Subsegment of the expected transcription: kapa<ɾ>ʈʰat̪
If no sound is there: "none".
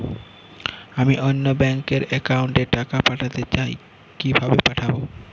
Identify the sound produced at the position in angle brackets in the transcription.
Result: none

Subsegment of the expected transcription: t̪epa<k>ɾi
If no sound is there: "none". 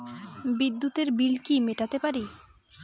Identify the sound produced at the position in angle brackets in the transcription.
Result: none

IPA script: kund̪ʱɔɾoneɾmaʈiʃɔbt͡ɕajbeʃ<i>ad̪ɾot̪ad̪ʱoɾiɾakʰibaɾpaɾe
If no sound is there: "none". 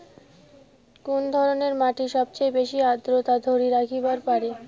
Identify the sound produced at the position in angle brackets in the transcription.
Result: i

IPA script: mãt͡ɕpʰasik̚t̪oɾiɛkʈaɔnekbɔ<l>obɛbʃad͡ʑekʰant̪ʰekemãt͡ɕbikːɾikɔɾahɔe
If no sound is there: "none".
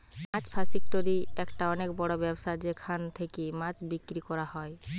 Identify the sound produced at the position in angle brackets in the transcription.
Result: ɽ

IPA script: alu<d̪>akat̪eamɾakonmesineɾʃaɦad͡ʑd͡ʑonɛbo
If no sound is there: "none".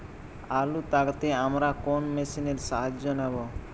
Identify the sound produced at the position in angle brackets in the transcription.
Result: t̪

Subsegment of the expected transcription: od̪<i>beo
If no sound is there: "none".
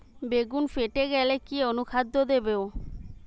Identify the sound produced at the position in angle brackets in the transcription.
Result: e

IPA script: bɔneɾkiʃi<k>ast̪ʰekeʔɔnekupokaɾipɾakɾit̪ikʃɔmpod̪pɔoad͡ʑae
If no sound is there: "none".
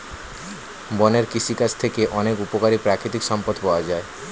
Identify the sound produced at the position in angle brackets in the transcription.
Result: k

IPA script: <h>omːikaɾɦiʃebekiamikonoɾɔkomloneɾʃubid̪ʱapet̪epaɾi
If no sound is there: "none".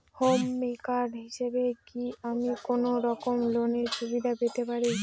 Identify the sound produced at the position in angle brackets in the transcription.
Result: h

